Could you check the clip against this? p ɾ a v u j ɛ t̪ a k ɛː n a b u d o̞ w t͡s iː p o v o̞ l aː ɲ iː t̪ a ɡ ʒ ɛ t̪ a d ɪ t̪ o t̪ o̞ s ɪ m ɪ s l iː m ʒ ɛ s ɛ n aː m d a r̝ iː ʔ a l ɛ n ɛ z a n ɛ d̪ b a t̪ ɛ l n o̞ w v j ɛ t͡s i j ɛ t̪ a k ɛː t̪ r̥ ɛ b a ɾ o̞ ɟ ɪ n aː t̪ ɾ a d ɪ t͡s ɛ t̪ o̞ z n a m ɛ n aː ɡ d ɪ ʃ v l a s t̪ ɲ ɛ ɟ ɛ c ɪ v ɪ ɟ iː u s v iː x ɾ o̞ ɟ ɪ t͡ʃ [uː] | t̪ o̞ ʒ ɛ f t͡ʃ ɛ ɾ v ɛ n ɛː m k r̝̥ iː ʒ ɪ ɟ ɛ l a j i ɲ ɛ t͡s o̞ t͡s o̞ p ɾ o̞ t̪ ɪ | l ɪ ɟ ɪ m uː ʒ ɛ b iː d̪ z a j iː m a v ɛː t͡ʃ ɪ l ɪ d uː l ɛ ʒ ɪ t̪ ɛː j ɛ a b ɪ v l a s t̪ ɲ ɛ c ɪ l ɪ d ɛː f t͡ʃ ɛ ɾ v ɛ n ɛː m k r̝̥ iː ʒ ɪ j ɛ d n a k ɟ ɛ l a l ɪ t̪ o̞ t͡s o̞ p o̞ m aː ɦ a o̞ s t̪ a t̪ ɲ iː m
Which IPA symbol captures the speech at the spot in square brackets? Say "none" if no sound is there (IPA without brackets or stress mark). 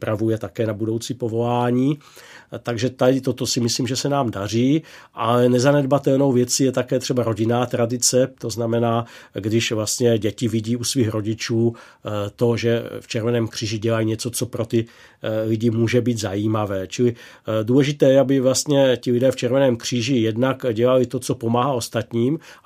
uː